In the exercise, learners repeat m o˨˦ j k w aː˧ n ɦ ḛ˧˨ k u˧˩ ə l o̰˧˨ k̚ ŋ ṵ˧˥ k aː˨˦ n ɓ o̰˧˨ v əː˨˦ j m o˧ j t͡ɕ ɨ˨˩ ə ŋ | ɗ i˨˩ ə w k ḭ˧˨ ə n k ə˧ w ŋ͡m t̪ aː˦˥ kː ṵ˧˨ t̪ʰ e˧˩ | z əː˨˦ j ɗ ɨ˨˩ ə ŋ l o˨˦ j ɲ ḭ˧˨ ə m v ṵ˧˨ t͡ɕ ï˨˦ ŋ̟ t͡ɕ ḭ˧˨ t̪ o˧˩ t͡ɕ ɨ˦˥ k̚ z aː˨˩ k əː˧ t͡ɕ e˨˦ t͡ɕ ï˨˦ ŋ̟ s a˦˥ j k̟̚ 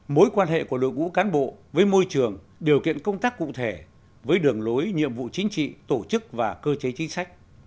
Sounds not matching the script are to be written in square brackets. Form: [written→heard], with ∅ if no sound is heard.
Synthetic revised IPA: m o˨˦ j k w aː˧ n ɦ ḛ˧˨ k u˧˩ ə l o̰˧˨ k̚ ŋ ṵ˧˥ k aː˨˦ n ɓ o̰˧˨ v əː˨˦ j m o˧ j t͡ɕ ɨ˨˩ ə ŋ | ɗ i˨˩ ə w k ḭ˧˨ ə n k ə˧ w ŋ͡m t̪ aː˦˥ kː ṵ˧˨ t̪ʰ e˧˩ | [z→v] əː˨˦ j ɗ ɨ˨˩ ə ŋ l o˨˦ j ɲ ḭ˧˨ ə m v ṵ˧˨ t͡ɕ ï˨˦ ŋ̟ t͡ɕ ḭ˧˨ t̪ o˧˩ t͡ɕ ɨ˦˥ k̚ [z→v] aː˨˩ k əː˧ t͡ɕ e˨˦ t͡ɕ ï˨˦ ŋ̟ s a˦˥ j k̟̚